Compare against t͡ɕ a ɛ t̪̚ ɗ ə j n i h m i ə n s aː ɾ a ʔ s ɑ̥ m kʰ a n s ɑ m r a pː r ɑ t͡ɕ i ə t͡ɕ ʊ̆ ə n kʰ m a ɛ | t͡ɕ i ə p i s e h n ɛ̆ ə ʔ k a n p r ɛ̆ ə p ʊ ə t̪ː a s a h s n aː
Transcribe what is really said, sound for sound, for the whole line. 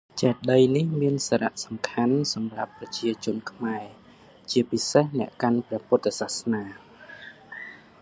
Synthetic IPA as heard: t͡ɕ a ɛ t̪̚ ɗ ə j n i h m i ə n s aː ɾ a ʔ s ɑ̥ m kʰ a n s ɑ m r a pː r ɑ t͡ɕ i ə t͡ɕ ʊ̆ ə n kʰ m a ɛ | t͡ɕ i ə p i s e h n ɛ̆ ə ʔ k a n p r ɛ̆ ə p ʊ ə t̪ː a s a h s n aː